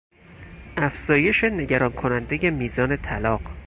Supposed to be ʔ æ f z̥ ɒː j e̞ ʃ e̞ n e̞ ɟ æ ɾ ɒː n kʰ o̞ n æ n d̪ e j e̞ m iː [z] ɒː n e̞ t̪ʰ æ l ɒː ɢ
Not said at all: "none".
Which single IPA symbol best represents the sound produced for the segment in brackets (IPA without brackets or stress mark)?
z